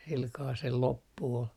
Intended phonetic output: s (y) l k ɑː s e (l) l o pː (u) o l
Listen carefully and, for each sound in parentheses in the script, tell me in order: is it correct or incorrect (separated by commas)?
incorrect, correct, correct